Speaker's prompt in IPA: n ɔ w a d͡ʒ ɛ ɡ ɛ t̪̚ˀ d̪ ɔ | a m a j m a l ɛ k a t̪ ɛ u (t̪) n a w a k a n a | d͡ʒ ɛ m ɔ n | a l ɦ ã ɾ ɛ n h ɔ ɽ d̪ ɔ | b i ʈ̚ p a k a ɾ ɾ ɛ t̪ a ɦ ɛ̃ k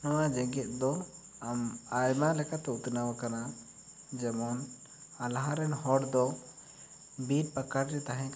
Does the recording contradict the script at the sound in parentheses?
no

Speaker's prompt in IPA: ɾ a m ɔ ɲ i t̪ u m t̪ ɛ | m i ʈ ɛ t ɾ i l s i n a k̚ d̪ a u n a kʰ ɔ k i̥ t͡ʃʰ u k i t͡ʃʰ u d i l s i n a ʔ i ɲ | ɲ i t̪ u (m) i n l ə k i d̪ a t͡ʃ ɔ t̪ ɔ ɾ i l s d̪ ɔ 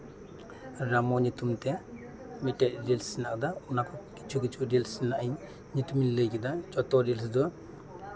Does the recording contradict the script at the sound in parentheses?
no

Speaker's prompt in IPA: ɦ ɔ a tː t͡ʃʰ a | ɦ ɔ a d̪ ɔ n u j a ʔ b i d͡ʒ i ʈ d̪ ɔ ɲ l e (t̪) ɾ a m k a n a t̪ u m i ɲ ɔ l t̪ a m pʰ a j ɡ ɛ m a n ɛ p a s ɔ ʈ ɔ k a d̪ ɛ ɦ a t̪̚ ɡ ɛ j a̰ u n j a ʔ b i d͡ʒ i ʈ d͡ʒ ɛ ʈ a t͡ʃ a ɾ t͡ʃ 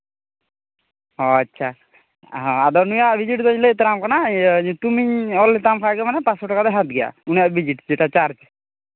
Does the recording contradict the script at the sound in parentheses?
no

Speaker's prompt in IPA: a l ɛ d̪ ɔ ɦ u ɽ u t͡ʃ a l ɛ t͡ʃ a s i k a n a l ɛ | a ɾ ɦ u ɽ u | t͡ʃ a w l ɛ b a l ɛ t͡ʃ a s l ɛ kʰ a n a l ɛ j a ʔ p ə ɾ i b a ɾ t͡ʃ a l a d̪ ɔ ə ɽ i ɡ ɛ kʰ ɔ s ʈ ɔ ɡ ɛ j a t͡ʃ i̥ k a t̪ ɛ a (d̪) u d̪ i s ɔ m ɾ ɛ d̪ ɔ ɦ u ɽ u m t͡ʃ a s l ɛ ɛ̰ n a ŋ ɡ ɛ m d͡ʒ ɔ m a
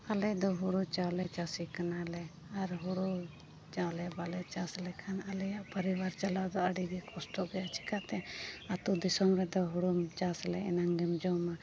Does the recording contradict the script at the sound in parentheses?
yes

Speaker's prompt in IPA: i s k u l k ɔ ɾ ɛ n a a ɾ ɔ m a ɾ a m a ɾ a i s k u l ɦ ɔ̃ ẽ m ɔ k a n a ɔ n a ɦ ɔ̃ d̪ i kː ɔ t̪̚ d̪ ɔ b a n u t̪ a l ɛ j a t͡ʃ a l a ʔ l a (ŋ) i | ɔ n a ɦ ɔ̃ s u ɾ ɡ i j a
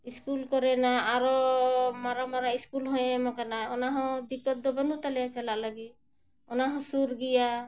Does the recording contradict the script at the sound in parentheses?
yes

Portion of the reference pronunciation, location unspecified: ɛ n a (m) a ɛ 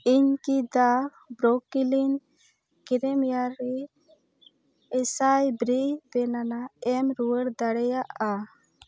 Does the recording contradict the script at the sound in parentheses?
yes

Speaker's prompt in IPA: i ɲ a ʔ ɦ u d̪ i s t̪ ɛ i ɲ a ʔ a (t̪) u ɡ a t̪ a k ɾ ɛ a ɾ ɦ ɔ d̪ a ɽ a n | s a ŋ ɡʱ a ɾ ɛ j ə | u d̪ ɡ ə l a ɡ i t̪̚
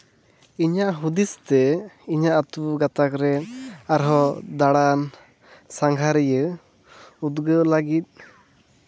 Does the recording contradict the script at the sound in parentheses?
no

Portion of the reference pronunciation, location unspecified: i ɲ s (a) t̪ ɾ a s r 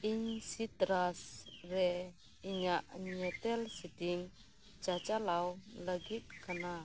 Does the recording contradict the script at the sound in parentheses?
yes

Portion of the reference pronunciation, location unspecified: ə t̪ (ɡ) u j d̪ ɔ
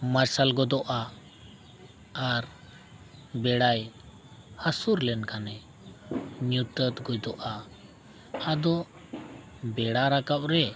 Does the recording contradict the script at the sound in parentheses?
no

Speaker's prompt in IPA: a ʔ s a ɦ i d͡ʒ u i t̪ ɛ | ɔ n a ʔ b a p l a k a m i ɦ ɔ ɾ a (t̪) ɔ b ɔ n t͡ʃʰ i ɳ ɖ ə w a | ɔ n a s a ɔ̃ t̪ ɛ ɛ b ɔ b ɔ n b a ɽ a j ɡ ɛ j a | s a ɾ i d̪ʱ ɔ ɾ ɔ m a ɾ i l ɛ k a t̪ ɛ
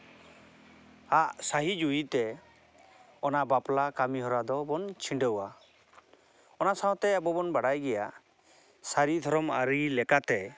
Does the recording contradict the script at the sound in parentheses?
yes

